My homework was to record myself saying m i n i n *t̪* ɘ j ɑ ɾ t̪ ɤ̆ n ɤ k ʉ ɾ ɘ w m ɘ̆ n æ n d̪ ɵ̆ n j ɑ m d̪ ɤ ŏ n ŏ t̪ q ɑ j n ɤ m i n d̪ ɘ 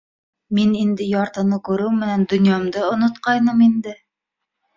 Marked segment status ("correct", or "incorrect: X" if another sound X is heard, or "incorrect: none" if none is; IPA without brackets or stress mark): incorrect: d̪